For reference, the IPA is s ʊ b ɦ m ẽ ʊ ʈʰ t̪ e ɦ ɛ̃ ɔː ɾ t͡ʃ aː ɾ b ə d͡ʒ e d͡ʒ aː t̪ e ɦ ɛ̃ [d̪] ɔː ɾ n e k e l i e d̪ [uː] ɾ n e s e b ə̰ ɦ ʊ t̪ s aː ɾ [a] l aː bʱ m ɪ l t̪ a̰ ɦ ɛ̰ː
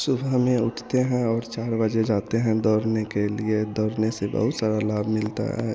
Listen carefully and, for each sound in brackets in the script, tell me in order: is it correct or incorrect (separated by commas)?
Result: correct, incorrect, correct